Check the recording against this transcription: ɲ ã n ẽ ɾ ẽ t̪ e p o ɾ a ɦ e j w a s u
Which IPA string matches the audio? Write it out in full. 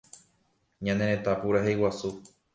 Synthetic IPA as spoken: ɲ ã n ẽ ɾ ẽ t̪ a p u ɾ a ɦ e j w a s u